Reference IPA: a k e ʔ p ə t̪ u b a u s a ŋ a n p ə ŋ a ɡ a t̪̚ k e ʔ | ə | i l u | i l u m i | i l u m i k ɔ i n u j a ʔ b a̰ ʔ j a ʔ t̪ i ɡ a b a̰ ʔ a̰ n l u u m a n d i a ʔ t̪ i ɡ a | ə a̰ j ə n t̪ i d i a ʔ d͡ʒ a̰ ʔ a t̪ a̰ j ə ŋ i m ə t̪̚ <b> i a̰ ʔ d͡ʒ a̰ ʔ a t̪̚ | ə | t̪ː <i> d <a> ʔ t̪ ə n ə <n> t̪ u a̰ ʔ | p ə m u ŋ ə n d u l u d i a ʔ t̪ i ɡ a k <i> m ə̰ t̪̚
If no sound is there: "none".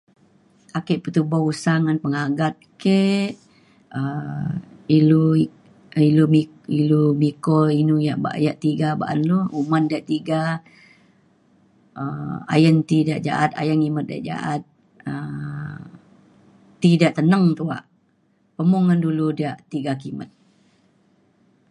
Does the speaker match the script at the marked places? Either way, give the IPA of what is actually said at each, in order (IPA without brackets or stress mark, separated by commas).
d, i, a, ŋ, i